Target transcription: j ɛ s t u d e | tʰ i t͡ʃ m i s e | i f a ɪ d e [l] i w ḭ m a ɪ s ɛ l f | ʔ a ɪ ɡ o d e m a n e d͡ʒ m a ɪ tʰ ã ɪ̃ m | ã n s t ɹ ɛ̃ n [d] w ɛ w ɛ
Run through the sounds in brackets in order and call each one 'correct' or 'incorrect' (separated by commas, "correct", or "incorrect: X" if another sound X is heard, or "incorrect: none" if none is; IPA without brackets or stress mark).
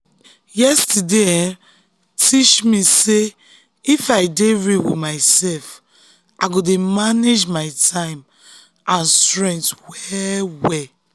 incorrect: ɹ, incorrect: t